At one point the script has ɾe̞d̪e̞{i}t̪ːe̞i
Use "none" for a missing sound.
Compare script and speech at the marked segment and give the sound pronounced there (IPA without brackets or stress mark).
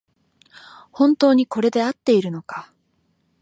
a